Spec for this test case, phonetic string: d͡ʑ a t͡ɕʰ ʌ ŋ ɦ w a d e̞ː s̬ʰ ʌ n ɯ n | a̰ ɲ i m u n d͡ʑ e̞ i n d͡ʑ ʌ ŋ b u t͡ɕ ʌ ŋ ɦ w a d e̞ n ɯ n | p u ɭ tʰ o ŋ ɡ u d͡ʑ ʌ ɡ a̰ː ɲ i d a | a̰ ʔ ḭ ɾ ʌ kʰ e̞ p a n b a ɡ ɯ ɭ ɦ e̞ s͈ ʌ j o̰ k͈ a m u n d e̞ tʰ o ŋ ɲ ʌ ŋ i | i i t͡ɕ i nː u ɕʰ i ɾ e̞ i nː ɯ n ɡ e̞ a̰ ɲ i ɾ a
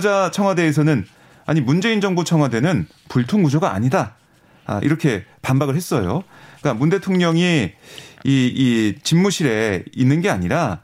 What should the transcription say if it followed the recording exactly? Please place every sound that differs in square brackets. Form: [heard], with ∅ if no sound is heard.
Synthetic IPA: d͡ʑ a t͡ɕʰ ʌ ŋ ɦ w a d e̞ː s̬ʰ ʌ n ɯ n | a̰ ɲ i m u n d͡ʑ e̞ i n d͡ʑ ʌ ŋ b u [t͡ɕʰ] ʌ ŋ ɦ w a d e̞ n ɯ n | p u ɭ tʰ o ŋ ɡ u d͡ʑ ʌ ɡ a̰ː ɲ i d a | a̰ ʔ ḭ ɾ ʌ kʰ e̞ p a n b a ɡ ɯ ɭ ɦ e̞ s͈ ʌ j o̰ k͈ a m u n d e̞ tʰ o ŋ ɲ ʌ ŋ i | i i t͡ɕ i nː u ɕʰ i ɾ e̞ i nː ɯ n ɡ e̞ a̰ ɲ i ɾ a